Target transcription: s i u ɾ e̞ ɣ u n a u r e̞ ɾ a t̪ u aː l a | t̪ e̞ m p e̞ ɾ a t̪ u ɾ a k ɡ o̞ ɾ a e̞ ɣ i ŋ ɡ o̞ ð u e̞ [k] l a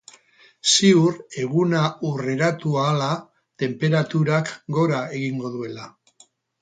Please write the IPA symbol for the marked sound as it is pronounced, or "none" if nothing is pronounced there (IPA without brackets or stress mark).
none